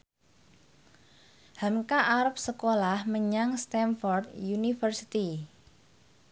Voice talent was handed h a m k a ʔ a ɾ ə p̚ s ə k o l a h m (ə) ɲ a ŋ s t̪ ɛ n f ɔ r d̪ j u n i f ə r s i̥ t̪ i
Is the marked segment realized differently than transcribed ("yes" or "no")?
no